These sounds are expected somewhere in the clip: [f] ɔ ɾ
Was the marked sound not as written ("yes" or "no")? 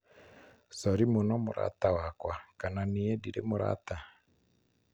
yes